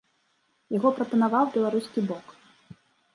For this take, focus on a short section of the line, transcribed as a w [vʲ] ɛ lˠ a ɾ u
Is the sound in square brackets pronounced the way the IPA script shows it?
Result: no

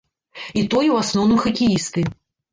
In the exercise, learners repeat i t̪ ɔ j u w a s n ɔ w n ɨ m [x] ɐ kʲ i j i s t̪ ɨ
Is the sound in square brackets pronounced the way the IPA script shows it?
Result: yes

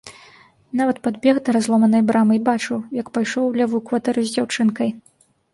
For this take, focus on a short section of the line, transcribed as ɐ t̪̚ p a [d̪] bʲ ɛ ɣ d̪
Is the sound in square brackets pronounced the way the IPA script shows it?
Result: yes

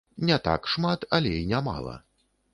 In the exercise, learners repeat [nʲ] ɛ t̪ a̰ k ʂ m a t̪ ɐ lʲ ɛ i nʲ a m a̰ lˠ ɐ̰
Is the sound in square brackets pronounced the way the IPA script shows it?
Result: yes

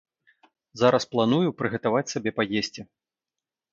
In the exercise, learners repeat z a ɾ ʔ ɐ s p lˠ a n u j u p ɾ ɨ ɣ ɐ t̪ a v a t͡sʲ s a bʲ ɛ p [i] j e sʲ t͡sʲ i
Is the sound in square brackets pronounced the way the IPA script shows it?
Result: no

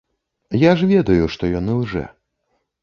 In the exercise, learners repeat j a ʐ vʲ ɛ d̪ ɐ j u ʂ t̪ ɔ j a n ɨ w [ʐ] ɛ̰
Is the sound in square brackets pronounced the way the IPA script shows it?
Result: yes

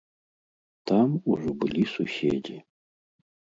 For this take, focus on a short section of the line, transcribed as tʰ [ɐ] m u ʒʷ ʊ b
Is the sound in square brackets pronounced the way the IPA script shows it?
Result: no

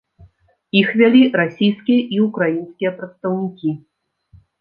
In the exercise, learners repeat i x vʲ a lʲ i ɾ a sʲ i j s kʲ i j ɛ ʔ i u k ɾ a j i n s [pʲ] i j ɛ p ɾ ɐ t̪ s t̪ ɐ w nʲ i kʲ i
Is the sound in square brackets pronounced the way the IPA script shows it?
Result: no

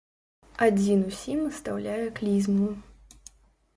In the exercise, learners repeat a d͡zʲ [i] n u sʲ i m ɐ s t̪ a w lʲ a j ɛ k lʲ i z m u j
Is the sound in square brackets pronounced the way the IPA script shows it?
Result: yes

